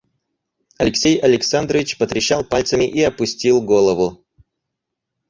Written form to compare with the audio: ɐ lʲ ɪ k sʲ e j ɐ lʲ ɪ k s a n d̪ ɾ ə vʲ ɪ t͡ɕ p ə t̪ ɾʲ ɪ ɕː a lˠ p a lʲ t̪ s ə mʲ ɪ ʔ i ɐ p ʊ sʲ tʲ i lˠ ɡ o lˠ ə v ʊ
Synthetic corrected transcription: ɐ lʲ ɪ k sʲ e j ɐ lʲ ɪ k s a n d̪ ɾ ə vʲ ɪ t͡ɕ p ə t̪ ɾʲ ɪ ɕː a lˠ p a lʲ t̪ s ə mʲ ɪ ʔ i ɐ p ʊ sʲ tʲ i lˠ ɡ o lˠ ə v ʊ